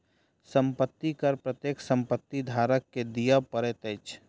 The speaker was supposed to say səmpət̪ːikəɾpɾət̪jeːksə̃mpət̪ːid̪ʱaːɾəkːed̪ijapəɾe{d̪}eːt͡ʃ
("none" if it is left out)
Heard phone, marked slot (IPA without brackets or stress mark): t̪